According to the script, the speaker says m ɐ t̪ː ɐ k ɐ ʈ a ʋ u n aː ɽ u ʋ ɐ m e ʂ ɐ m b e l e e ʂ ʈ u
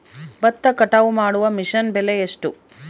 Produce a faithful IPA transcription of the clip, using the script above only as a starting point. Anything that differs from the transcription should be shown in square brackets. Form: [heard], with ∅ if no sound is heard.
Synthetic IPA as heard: [b] ɐ t̪ː ɐ k ɐ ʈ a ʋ u [m] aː ɽ u ʋ ɐ m [i] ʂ ɐ [n] b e l e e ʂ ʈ u